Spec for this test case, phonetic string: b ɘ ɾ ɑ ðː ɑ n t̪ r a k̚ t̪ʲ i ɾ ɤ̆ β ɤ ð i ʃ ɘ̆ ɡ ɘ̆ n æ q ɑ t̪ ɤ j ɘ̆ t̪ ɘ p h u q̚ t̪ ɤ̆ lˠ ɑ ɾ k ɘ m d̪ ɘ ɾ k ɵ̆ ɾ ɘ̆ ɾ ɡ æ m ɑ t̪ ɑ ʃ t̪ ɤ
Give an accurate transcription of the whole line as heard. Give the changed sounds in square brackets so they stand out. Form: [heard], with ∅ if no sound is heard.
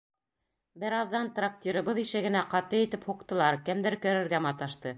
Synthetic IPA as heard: b ɘ ɾ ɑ ðː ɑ n t̪ r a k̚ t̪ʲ i ɾ ɤ̆ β ɤ ð i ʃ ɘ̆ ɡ ɘ̆ n æ q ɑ t̪ ɤ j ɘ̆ t̪ ɘ p h u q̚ t̪ ɤ̆ lˠ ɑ ɾ k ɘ m d̪ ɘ ɾ k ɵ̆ ɾ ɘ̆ ɾ ɡ æ m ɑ t̪ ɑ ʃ t̪ ɤ